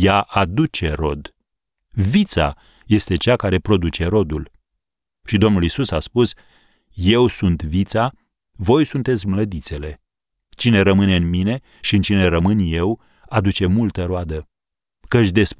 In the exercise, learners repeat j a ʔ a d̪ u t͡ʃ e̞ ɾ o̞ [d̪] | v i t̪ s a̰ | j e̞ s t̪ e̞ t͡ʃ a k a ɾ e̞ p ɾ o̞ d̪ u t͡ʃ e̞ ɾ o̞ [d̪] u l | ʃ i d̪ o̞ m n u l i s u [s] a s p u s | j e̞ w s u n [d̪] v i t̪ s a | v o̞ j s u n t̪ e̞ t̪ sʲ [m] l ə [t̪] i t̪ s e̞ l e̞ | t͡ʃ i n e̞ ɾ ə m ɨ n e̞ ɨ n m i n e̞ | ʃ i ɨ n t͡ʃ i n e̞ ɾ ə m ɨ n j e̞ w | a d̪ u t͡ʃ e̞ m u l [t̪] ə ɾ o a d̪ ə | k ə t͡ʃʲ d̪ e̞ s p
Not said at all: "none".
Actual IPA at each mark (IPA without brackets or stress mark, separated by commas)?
d̪, d̪, s, t̪, m, d̪, t̪